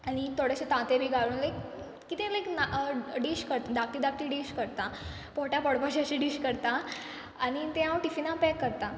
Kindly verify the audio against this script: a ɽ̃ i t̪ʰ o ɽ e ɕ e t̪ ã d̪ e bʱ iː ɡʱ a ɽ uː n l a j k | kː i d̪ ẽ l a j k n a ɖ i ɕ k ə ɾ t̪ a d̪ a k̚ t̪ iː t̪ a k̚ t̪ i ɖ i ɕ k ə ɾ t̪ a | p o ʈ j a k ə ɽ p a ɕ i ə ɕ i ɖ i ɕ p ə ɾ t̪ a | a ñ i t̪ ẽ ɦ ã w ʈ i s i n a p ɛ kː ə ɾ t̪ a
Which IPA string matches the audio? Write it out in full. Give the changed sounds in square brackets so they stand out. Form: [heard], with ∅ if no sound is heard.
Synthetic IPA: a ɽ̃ i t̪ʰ o ɽ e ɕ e t̪ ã [t̪] e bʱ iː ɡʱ a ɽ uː n l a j k | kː i [t̪] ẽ l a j k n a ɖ i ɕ k ə ɾ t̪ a d̪ a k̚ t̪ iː [d̪] a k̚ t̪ i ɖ i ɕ k ə ɾ t̪ a | p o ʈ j a [p] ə ɽ p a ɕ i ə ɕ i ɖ i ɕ [k] ə ɾ t̪ a | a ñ i t̪ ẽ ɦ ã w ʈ i [f] i n a p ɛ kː ə ɾ t̪ a